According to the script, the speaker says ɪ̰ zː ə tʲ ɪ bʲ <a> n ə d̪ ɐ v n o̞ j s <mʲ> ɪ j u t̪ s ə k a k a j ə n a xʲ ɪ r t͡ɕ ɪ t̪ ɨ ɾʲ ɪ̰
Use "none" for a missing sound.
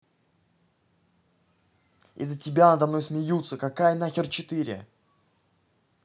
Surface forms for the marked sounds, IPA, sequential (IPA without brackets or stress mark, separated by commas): a, mʲ